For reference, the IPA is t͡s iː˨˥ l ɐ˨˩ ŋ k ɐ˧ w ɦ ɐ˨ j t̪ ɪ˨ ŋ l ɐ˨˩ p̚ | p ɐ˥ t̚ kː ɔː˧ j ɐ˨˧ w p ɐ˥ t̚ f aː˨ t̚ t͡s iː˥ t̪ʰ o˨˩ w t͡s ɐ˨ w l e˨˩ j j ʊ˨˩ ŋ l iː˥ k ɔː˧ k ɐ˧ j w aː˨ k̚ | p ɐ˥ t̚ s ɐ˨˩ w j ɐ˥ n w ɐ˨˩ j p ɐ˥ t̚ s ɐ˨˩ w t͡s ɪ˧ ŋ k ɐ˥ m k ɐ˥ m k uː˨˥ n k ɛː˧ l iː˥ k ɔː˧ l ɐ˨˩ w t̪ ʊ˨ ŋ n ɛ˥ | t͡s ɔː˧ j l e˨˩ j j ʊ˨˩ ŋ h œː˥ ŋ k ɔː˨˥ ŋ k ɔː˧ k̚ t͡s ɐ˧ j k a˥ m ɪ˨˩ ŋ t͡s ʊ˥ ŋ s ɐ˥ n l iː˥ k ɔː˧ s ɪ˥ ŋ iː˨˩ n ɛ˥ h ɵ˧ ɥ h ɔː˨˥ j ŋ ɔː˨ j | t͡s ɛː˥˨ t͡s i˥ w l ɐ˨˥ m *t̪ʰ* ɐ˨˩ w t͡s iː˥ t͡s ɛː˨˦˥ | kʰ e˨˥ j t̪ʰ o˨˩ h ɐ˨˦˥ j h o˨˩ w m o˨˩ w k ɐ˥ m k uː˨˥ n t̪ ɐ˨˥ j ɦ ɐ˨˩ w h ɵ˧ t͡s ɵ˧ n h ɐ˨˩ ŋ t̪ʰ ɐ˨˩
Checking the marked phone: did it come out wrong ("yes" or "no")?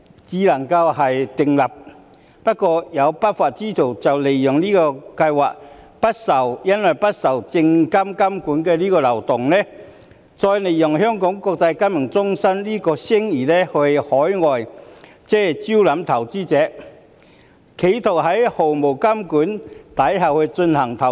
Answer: no